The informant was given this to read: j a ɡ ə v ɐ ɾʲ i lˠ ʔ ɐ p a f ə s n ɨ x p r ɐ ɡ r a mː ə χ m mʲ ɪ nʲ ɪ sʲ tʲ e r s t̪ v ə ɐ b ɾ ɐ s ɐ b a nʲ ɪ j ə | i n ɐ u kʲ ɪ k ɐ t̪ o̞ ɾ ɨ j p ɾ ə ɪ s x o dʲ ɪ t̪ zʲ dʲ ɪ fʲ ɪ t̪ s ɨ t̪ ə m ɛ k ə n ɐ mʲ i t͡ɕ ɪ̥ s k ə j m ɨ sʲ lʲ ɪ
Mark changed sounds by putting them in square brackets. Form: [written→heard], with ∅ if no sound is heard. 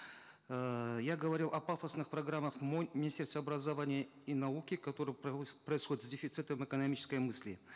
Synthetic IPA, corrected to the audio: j a ɡ ə v ɐ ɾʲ i lˠ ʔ ɐ p a f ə s n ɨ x p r ɐ ɡ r a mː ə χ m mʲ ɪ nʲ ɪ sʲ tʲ e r s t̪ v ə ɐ b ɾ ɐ [s→z] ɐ [b→v] a nʲ ɪ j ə | i n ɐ u kʲ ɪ k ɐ t̪ o̞ ɾ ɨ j p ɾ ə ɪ s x o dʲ ɪ t̪ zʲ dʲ ɪ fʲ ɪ t̪ s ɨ t̪ ə m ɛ k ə n ɐ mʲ i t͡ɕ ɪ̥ s k ə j m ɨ sʲ lʲ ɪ